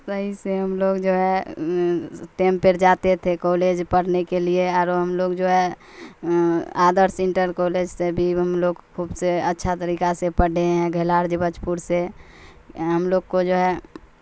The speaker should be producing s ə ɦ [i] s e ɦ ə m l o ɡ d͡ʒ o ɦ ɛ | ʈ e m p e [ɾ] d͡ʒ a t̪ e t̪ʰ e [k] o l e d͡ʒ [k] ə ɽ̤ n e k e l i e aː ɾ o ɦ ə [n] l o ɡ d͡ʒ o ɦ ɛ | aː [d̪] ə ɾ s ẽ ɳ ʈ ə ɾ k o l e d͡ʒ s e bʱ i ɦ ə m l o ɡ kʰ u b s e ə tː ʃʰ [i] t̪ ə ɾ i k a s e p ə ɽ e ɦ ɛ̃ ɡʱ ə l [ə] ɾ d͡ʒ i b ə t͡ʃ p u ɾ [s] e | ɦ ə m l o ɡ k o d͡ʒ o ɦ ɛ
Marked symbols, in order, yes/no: yes, yes, yes, no, no, yes, no, no, yes

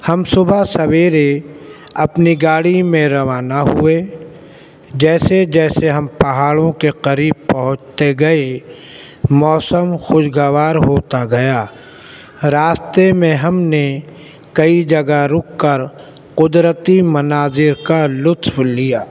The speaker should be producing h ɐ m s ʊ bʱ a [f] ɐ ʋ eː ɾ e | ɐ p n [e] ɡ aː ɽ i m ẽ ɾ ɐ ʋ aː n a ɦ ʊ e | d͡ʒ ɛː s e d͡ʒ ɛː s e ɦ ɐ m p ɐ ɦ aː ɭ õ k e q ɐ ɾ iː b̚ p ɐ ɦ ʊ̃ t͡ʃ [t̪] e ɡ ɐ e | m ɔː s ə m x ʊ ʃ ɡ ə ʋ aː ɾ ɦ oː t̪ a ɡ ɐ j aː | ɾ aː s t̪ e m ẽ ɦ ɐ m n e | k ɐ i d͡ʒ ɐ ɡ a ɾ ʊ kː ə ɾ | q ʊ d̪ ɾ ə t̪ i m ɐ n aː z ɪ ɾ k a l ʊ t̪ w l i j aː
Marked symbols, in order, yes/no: no, no, yes

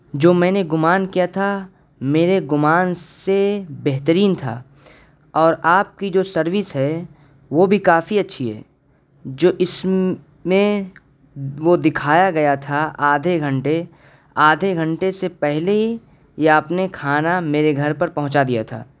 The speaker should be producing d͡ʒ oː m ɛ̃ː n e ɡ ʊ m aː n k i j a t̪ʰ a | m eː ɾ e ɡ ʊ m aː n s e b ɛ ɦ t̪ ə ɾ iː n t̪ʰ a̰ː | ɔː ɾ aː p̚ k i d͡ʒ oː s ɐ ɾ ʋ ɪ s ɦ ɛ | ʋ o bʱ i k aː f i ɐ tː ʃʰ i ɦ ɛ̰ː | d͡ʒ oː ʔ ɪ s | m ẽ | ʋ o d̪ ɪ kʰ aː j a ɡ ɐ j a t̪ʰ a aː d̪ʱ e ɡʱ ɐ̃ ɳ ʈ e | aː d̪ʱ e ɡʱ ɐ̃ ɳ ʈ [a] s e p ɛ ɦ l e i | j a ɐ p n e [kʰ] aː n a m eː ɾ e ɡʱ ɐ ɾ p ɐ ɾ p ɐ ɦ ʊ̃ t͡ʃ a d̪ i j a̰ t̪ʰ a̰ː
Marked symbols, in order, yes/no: no, yes

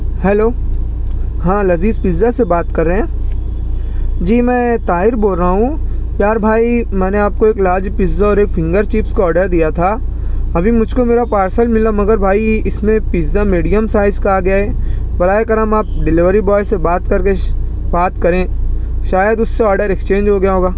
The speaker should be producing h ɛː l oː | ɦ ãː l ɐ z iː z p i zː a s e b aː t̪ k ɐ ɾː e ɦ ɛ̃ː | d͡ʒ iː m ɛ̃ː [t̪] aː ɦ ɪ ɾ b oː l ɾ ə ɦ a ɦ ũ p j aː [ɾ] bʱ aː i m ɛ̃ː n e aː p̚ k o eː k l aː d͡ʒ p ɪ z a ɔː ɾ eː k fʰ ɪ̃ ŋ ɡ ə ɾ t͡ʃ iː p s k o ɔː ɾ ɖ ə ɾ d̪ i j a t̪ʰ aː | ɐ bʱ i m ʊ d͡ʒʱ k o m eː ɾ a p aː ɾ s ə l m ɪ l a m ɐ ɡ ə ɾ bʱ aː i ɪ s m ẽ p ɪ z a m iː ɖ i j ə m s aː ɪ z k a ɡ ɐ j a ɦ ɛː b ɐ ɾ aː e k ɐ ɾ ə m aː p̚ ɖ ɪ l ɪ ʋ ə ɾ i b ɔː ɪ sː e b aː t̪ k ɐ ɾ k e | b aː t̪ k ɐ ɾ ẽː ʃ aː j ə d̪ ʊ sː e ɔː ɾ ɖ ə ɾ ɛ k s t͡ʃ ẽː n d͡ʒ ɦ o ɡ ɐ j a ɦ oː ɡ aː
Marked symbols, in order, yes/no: yes, yes

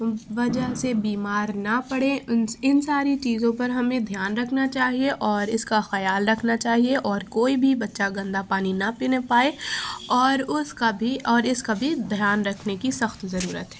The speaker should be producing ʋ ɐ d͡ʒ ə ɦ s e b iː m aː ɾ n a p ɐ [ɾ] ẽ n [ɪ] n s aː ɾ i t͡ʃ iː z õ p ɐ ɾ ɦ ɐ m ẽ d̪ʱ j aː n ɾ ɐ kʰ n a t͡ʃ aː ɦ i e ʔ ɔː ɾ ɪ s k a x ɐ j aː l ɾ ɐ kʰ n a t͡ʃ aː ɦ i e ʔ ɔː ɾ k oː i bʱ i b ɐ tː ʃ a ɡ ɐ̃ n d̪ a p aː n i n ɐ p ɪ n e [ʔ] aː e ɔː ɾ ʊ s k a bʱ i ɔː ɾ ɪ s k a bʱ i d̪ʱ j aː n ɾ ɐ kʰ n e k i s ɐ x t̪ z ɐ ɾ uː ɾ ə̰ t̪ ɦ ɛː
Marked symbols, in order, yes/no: no, yes, no

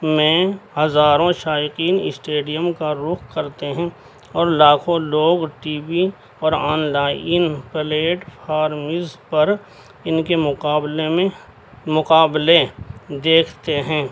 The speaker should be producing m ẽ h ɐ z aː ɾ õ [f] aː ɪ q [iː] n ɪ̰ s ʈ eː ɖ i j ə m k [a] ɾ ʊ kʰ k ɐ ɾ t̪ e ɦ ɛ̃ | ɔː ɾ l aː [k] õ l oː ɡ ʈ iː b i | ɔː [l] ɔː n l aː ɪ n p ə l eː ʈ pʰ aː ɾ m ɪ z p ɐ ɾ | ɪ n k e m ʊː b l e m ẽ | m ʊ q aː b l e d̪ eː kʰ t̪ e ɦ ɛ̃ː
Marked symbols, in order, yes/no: no, yes, yes, no, no

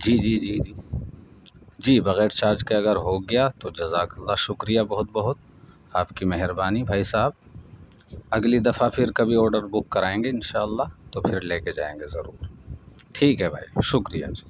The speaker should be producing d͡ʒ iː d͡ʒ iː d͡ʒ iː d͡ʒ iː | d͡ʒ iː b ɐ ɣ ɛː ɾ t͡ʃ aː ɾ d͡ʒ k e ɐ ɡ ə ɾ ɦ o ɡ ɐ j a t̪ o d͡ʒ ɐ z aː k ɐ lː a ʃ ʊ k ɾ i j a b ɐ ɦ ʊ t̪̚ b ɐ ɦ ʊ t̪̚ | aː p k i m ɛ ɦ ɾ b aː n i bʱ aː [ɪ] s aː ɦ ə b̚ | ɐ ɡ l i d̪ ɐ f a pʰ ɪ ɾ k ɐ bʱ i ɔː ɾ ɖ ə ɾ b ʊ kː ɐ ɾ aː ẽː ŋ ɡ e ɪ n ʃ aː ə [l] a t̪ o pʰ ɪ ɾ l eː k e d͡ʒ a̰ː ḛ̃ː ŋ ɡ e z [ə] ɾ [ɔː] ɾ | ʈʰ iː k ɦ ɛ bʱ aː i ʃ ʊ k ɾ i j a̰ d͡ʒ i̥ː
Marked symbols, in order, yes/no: no, no, no, no

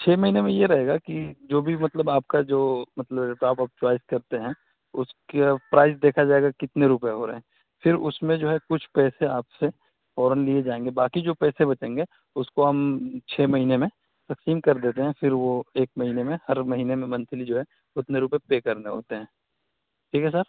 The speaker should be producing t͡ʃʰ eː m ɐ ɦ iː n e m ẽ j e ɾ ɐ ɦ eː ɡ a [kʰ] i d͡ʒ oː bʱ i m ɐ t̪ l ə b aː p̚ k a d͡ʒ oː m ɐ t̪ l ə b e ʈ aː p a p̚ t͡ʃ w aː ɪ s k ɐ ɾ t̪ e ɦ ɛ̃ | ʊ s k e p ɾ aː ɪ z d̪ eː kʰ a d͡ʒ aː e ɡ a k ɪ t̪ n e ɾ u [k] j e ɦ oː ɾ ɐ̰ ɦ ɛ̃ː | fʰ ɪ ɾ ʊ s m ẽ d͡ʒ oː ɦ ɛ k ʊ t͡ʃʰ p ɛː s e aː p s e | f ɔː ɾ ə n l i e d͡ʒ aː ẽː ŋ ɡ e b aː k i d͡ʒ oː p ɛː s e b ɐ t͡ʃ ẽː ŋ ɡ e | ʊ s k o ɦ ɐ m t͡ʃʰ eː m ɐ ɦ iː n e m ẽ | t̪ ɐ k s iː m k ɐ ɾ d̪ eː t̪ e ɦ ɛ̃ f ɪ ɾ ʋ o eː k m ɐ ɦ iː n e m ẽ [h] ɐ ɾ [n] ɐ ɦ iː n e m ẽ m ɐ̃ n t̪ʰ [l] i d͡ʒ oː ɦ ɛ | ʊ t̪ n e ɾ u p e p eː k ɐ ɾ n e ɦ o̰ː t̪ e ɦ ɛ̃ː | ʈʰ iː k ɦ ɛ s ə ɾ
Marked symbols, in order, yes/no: no, no, yes, no, yes

